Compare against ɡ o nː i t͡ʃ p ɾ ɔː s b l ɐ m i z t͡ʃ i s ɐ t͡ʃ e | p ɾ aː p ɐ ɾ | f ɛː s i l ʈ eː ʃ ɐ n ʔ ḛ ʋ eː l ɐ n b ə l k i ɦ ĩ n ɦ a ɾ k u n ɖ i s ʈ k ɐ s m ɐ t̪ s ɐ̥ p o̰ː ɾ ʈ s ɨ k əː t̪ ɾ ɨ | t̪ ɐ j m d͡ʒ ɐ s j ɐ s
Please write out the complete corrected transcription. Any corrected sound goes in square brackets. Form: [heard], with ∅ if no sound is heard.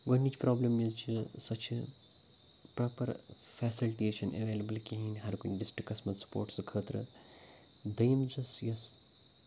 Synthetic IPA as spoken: ɡ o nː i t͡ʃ p ɾ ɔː [∅] b l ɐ m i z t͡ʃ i s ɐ t͡ʃ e | p ɾ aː p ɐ ɾ | f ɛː s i l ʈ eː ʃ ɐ n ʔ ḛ ʋ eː l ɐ [∅] b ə l k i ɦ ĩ n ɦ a ɾ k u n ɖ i s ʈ k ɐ s m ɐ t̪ s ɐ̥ p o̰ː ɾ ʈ s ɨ [kʰ] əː t̪ ɾ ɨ | [d̪] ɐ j m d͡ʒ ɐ s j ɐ s